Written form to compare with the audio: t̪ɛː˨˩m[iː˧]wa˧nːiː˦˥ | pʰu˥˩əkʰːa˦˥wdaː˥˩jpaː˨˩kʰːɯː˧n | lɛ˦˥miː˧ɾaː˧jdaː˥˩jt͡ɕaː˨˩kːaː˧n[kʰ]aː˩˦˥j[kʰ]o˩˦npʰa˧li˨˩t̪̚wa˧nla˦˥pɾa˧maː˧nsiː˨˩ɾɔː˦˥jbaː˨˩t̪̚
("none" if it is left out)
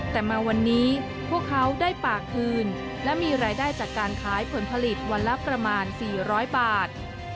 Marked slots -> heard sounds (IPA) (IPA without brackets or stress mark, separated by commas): aː˧, kʰ, pʰ